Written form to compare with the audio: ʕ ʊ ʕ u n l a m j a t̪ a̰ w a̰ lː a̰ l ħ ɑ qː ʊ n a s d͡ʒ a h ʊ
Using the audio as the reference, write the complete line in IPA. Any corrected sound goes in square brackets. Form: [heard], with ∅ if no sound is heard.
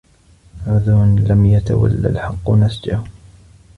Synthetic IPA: ʕ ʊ [ð] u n l a m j a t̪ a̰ w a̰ lː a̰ l ħ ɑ qː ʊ n a s d͡ʒ a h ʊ